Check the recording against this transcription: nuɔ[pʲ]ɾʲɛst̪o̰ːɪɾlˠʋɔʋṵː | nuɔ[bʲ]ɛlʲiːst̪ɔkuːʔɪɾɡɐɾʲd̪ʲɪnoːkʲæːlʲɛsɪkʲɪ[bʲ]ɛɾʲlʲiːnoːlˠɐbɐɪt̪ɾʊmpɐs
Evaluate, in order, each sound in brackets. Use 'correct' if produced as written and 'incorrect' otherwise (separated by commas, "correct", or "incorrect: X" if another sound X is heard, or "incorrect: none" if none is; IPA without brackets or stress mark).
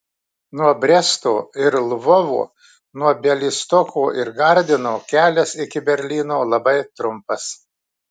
incorrect: bʲ, correct, correct